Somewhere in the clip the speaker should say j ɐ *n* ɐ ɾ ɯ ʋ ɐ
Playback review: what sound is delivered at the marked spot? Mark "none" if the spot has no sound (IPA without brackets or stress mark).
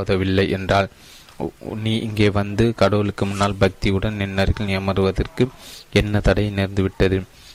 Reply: m